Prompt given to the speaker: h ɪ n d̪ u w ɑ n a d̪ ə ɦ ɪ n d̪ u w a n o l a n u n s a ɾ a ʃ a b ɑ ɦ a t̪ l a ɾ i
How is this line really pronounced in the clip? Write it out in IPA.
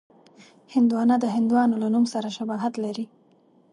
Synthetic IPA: h ɪ n d̪ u w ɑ n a d̪ ə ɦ ɪ n d̪ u w ɑ n o l a n u m s a ɾ a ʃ a b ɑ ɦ a t̪ l a ɾ i